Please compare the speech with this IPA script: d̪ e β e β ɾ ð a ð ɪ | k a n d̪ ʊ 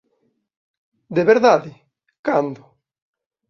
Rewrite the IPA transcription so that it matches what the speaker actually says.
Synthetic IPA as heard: d̪ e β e ɾ ð a ð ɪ | k a n d̪ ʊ